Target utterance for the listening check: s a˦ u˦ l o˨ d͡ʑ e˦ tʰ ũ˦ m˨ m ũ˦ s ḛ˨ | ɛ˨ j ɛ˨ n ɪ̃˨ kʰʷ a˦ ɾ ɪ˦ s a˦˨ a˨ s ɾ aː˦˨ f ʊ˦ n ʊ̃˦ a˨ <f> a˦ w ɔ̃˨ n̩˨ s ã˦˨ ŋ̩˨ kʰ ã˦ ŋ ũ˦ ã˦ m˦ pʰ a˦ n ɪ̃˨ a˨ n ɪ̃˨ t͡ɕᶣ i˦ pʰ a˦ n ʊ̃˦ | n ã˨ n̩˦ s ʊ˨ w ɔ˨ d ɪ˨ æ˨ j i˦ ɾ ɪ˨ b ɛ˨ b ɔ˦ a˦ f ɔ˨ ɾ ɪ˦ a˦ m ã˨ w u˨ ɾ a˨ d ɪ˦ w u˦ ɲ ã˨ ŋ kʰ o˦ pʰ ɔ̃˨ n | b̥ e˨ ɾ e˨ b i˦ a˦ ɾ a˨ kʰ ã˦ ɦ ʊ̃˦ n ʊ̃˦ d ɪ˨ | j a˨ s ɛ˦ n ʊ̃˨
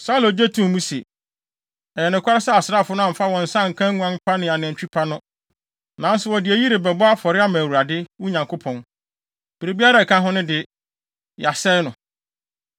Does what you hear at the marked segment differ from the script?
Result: no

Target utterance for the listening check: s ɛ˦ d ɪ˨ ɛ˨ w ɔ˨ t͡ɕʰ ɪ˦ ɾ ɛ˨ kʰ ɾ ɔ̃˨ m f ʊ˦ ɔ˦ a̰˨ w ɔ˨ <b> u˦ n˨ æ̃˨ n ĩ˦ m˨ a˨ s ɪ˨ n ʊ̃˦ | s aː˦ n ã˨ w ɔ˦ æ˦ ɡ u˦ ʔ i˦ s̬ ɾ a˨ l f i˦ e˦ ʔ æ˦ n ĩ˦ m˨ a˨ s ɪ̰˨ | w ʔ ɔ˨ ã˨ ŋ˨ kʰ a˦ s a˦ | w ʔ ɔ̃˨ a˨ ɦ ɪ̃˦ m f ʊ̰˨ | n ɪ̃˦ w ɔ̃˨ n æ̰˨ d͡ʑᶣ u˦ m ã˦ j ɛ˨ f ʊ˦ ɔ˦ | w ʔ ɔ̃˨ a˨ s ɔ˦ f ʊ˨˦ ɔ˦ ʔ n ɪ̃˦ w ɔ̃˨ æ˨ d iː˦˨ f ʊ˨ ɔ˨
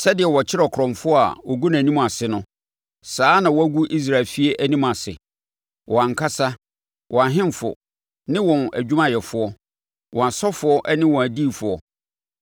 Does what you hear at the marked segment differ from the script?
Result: yes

